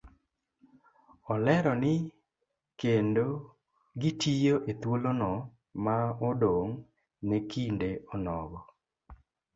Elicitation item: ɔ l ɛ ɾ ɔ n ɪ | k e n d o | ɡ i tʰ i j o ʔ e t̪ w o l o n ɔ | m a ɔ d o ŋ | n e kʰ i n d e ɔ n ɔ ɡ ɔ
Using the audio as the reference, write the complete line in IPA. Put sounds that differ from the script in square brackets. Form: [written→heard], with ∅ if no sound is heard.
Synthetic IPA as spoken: ɔ l ɛ ɾ ɔ n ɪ | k e n d o | ɡ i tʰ i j o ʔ e t̪ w o l o n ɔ | m a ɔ d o ŋ | n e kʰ i n d e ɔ n ɔ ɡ ɔ